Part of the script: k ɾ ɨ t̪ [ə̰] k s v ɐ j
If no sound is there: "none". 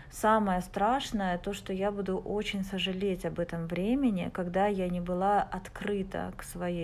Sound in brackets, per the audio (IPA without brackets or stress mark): ə̰